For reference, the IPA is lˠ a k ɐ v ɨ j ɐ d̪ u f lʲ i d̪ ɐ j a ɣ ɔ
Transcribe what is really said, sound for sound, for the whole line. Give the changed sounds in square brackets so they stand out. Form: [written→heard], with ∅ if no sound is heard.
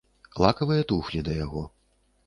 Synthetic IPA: lˠ a k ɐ v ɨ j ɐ [d̪→t̪] u [f→x] lʲ i d̪ ɐ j a ɣ ɔ